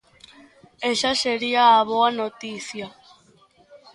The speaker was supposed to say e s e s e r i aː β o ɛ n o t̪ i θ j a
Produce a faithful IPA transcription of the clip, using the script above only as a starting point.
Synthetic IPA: e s a s e ɾ i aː β o a n o t̪ i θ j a